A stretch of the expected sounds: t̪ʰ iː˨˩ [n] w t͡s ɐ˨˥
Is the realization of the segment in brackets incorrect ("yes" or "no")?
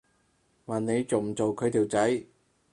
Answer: yes